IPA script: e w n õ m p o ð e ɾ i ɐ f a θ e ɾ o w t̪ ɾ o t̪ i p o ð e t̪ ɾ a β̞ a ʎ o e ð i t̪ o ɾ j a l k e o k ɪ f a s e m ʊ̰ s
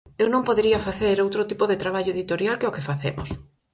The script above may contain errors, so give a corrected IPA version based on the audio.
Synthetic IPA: e w n õ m p o ð e ɾ i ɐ f a θ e ɾ o w t̪ ɾ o t̪ i p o ð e t̪ ɾ a β̞ a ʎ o e ð i t̪ o ɾ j a l k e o k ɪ f a θ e m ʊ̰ s